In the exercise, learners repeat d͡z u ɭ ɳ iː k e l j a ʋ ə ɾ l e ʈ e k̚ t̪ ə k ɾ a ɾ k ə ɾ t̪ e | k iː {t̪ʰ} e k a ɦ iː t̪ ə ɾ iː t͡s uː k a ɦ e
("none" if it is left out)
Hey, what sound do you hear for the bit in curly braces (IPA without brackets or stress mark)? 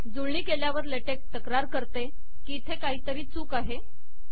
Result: t̪ʰ